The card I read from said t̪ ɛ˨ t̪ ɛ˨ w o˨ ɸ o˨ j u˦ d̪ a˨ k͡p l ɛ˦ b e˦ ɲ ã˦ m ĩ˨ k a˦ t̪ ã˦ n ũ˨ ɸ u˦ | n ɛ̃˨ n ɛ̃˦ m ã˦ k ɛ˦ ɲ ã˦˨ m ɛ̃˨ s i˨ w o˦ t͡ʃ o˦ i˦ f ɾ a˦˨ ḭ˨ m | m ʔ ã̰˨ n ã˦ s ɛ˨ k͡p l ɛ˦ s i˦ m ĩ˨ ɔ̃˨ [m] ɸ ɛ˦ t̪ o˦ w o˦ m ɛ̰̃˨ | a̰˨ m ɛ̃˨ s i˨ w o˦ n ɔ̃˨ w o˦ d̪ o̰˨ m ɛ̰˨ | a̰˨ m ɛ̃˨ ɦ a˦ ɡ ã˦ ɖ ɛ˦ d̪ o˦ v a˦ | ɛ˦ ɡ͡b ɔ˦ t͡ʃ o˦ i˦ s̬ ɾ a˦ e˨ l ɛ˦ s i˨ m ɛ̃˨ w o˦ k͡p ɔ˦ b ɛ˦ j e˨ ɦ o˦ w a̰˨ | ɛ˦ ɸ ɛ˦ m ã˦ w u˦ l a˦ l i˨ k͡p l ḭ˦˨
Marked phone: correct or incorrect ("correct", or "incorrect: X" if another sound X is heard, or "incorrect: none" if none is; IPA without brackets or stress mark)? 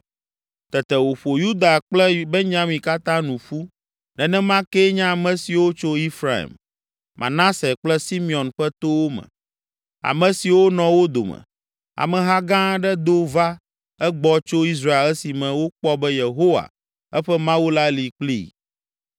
incorrect: n